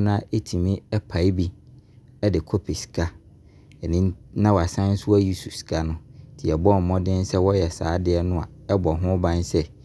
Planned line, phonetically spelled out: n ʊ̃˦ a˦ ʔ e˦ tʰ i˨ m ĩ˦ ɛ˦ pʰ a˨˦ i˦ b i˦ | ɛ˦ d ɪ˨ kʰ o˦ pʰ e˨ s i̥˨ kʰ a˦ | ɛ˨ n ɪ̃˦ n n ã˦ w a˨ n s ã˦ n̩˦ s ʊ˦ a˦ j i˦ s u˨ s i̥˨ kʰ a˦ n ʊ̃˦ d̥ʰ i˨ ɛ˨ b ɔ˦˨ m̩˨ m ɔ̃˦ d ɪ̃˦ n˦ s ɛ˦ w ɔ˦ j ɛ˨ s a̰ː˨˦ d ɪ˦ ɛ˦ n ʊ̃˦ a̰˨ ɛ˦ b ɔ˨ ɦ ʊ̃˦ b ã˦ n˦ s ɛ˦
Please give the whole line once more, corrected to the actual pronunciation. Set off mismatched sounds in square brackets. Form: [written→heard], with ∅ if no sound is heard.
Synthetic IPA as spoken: n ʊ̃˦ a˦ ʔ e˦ tʰ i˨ m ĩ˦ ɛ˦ pʰ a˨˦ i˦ b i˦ | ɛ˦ d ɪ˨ kʰ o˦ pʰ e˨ s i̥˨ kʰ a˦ | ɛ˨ n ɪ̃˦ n n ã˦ w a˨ [n→∅] s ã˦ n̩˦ s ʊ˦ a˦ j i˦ s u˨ s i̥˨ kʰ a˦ n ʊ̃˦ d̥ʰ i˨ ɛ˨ b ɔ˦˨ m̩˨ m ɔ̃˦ d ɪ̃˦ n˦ s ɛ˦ w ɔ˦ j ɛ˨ s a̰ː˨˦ d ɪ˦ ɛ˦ n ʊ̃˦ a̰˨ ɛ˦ b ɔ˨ ɦ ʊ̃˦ b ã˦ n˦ s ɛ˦